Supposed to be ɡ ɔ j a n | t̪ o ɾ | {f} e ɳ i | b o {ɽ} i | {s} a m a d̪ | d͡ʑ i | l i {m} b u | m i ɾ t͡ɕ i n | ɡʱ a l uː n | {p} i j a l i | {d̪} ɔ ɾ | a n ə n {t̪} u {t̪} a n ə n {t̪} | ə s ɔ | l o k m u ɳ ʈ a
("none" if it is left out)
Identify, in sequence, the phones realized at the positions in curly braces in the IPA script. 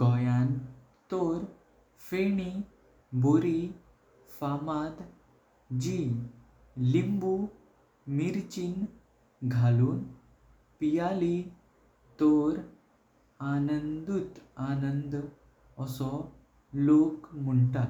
f, ɾ, f, m, p, t̪, d̪, t̪, d̪

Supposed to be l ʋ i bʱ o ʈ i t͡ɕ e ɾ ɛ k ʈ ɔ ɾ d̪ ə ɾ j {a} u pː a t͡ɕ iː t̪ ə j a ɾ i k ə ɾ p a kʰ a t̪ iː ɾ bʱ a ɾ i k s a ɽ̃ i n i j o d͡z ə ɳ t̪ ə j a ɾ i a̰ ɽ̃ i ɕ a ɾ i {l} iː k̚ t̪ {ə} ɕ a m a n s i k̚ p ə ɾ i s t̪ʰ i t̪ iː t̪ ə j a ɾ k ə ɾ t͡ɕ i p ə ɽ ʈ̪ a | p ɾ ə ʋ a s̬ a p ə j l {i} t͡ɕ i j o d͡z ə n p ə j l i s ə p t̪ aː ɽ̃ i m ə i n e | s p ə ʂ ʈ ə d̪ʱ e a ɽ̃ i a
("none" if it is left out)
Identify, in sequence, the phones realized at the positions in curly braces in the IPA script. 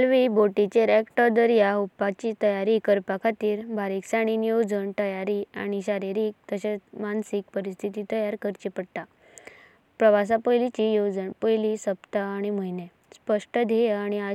a, ɾ, ə, i

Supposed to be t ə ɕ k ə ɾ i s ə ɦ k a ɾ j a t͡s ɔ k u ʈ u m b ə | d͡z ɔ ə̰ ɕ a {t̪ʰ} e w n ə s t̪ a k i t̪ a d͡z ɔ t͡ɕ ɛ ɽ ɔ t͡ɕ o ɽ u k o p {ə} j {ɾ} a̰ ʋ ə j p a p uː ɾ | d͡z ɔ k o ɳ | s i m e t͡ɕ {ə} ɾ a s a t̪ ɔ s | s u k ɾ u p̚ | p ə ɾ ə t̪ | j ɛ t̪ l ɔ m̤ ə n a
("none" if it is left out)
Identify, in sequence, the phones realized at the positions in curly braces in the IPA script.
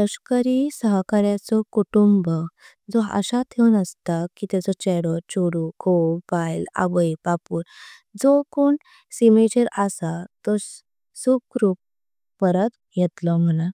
t̪ʰ, a, l, ə

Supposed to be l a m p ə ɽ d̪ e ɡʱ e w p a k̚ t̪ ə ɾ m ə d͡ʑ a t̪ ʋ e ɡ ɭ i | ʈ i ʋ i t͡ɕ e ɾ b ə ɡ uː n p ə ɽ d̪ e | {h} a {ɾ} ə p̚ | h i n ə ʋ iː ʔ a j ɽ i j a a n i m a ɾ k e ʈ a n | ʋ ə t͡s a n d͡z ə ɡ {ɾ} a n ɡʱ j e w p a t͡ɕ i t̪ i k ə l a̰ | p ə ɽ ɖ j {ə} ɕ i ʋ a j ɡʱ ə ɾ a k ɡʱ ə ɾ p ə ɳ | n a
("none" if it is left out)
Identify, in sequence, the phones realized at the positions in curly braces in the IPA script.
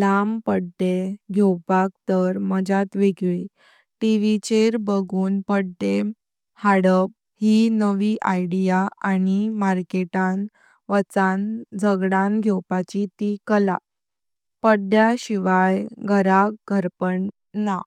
h, ɽ, ɽ, a

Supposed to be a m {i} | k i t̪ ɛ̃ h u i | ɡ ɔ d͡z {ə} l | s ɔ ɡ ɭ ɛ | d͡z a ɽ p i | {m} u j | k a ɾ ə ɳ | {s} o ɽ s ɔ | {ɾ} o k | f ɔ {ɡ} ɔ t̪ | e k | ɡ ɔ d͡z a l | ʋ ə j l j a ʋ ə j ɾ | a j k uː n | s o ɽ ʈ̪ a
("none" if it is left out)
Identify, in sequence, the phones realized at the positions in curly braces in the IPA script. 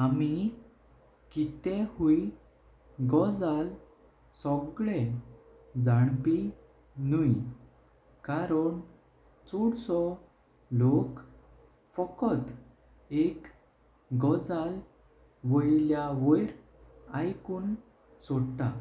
i, a, n, t͡s, l, k

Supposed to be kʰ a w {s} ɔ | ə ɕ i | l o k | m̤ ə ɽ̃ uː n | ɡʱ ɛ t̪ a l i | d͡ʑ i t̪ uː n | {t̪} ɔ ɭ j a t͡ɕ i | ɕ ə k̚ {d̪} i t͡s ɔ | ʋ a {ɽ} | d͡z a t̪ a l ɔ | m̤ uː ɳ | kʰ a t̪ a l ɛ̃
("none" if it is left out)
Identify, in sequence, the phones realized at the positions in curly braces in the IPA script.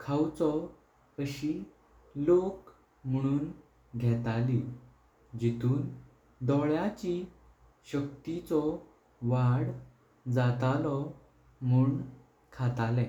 t͡s, d̪, t̪, ɽ

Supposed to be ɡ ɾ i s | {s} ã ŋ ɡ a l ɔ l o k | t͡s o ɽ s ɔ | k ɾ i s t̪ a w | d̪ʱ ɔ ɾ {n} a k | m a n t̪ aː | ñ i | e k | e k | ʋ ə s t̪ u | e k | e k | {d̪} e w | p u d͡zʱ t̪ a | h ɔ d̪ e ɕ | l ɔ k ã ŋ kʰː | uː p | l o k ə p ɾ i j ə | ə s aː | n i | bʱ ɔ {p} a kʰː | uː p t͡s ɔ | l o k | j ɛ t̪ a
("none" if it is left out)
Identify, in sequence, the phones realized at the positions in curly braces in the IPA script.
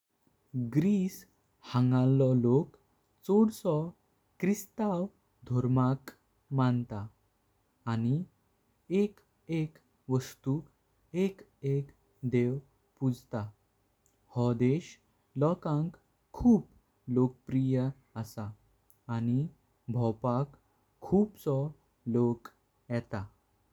h, m, d̪, p

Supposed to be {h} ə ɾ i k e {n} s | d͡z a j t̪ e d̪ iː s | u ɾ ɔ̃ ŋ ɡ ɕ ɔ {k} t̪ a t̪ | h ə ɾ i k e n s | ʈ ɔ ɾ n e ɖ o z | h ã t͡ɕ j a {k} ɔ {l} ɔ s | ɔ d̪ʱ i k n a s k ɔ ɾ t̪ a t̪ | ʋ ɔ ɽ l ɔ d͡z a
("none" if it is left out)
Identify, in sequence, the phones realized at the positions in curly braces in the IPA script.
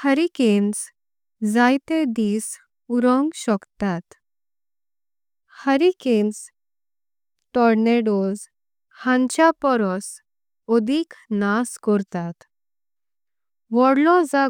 h, n, k, p, ɾ

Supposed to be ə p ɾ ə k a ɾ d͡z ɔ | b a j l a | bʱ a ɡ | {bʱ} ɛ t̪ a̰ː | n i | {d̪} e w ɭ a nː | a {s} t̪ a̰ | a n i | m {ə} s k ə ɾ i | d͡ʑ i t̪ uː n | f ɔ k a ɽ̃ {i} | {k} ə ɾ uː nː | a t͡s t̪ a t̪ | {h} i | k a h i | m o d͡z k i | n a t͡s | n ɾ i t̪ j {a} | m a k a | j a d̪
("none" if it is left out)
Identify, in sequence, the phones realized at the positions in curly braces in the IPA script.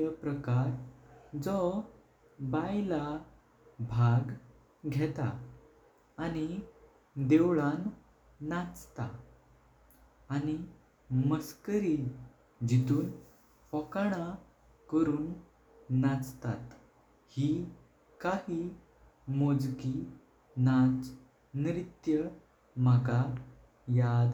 ɡʱ, d̪, t͡s, ə, a, k, h, ə

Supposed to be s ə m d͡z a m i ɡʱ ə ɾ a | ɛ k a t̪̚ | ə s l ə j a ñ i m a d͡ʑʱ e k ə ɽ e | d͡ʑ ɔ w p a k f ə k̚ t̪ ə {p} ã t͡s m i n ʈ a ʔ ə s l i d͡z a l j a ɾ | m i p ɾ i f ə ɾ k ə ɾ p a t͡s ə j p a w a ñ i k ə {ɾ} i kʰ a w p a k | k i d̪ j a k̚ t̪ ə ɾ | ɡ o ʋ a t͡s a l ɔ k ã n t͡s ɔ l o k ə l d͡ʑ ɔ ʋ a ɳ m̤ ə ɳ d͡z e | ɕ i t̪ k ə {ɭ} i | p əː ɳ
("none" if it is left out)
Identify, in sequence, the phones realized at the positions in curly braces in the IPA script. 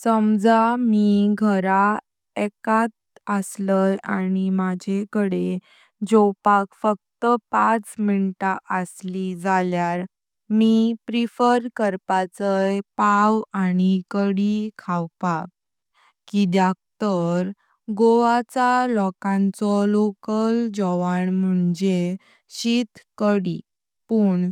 p, ɽ, ɽ

